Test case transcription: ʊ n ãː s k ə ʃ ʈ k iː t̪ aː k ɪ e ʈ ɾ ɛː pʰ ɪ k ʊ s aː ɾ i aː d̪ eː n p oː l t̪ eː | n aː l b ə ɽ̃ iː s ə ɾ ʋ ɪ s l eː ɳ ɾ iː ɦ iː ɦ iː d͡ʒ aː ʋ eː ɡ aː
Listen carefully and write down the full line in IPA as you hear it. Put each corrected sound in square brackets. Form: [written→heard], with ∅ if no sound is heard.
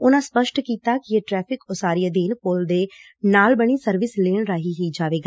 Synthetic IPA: ʊ n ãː s [k→p] ə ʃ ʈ k iː t̪ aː k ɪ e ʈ ɾ ɛː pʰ ɪ k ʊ s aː ɾ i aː d̪ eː n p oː l [t̪→d̪] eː | n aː l b ə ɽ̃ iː s ə ɾ ʋ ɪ s l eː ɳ ɾ [iː→aː] ɦ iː ɦ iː d͡ʒ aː ʋ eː ɡ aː